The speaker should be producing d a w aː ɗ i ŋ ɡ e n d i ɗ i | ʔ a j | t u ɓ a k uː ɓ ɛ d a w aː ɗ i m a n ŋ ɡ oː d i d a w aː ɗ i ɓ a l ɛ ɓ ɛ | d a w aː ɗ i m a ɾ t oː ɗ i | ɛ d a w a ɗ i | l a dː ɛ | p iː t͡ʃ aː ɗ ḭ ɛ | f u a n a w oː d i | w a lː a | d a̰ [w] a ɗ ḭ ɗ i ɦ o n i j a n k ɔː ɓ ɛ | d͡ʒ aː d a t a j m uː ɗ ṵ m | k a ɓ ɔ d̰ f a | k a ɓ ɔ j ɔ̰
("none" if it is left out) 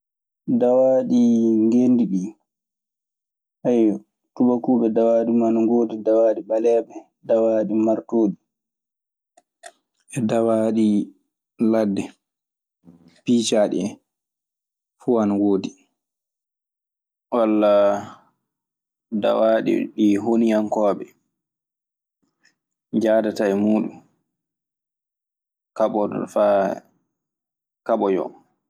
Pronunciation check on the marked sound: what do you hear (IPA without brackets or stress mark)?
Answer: w